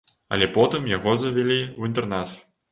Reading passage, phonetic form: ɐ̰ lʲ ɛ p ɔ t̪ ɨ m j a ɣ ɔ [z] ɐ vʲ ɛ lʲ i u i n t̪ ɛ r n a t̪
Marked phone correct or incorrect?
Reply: correct